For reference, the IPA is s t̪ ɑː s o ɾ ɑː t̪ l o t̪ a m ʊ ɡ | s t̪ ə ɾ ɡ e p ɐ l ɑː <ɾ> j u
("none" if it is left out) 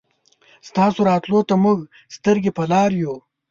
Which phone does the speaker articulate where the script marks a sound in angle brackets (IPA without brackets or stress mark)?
ɾ